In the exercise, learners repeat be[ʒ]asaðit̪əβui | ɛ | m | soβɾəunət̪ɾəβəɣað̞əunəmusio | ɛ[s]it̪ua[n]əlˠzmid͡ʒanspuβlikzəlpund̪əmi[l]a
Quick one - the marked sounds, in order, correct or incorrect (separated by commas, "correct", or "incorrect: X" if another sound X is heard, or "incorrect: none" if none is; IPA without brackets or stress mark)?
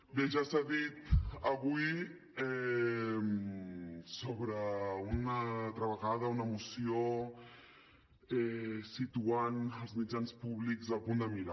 correct, correct, correct, incorrect: ɾ